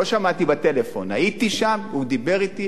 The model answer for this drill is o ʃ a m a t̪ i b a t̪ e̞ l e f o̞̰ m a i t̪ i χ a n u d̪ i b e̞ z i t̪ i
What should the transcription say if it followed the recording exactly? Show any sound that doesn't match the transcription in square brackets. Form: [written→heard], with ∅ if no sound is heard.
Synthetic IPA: o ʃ a m a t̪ i b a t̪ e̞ l e f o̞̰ [m→n] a i t̪ i [χ→ʃ] a [n→m] u d̪ i b e̞ [z→ʁ] i t̪ i